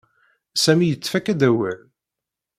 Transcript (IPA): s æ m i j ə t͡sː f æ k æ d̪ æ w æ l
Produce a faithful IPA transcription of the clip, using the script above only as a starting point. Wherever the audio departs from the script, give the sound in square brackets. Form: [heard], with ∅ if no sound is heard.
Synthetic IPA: s æ m i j ə t͡sː f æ k æ d̪ æ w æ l